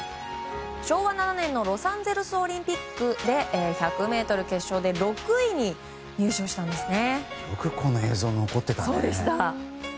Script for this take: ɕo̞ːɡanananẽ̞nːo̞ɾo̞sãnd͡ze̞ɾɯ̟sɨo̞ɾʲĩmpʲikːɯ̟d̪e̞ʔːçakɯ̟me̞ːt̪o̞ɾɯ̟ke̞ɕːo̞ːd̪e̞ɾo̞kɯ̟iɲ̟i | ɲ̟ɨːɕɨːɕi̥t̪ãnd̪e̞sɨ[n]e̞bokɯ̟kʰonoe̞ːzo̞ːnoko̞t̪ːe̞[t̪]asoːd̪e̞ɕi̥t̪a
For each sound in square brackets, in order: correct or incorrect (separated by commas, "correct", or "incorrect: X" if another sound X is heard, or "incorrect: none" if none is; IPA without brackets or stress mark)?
correct, correct